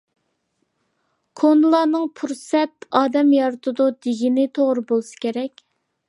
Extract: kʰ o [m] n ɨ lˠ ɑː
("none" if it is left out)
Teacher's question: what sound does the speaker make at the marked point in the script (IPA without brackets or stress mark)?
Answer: none